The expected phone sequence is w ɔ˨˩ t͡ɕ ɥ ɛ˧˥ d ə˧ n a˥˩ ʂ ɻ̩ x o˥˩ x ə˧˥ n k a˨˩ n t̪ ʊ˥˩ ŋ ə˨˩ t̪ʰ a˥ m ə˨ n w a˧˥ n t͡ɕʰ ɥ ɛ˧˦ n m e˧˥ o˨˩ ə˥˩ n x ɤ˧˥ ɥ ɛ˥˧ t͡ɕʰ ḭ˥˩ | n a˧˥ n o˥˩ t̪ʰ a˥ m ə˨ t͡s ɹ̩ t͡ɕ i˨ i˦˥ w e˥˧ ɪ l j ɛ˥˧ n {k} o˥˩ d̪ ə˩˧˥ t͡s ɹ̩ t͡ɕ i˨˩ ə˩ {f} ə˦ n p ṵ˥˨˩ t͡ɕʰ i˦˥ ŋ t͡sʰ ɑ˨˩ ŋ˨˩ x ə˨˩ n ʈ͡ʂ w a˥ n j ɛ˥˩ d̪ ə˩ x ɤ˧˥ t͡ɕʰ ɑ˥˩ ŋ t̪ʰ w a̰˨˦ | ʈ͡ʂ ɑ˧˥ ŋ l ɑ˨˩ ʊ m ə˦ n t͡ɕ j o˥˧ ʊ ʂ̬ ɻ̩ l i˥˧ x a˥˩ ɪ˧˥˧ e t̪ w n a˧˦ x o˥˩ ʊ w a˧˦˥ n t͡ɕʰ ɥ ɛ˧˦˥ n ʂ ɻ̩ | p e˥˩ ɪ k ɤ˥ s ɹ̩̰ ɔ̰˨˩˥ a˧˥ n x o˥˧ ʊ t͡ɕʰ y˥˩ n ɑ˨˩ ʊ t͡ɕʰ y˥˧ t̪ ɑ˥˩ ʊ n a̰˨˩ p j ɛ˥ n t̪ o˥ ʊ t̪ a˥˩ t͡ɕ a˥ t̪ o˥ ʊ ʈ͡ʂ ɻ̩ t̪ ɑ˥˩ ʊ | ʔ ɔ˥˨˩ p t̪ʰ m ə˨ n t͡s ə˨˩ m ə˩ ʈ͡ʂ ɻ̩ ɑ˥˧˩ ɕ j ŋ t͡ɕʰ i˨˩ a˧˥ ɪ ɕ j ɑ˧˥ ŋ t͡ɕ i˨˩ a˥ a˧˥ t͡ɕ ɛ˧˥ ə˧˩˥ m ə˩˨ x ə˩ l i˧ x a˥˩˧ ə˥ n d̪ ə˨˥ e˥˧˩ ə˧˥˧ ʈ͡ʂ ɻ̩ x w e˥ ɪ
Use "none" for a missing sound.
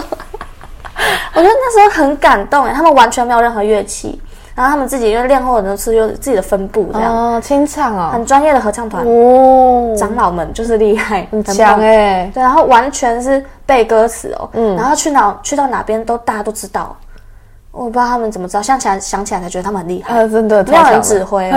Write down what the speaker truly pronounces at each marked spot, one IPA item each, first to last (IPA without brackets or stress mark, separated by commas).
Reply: x, f